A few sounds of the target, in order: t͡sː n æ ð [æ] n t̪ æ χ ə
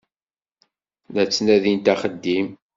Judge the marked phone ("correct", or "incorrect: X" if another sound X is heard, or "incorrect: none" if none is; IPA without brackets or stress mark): incorrect: i